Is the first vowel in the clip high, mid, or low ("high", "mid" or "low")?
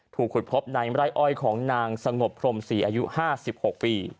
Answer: high